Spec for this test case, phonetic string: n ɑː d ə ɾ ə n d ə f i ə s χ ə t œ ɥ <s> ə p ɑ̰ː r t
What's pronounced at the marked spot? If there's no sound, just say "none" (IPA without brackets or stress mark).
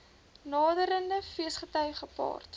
χ